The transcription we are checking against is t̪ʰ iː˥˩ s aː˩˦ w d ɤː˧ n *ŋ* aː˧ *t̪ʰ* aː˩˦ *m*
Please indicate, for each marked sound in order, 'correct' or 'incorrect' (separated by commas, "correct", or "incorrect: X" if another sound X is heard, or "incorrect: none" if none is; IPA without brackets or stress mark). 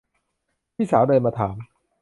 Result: incorrect: m, correct, correct